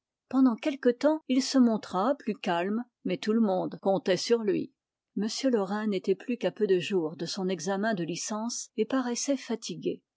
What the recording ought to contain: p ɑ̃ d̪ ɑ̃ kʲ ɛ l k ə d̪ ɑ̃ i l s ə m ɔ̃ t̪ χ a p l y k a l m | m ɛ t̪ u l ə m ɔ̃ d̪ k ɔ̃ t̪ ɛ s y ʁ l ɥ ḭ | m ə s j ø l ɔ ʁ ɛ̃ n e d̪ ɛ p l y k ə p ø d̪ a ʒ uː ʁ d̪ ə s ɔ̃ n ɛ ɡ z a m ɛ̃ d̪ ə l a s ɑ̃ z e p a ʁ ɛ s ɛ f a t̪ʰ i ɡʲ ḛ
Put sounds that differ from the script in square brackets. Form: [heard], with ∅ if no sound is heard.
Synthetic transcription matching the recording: p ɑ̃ d̪ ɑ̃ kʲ ɛ l k ə [t̪] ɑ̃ i l s ə m ɔ̃ t̪ χ a p l y k a l m | m ɛ t̪ u l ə m ɔ̃ d̪ k ɔ̃ t̪ ɛ s y ʁ l ɥ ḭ | m ə s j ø l ɔ ʁ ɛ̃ n e [t̪] ɛ p l y k [a] p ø d̪ [ə] ʒ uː ʁ d̪ ə s ɔ̃ n ɛ ɡ z a m ɛ̃ d̪ ə l [i] s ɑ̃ [s] e p a ʁ ɛ s ɛ f a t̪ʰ i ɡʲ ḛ